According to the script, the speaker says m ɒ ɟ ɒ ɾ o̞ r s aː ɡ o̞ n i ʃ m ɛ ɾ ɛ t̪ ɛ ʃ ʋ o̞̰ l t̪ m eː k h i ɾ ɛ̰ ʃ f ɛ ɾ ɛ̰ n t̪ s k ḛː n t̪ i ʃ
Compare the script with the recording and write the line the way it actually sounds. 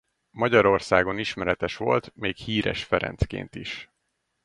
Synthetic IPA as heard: m ɒ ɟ ɒ ɾ o̞ r s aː ɡ o̞ n i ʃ m ɛ ɾ ɛ t̪ ɛ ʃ ʋ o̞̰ l t̪ m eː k h iː ɾ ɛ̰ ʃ f ɛ ɾ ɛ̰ n t̪ s k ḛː n t̪ i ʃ